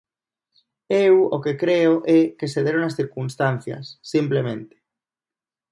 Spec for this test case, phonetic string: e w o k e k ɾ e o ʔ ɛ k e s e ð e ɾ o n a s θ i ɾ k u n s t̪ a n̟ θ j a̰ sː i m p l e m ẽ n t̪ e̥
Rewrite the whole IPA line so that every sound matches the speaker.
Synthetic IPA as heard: e w o k e k ɾ e o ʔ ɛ k e s e ð e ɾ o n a s θ i ɾ k u n s t̪ a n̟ θ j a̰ sː i m p l e m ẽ n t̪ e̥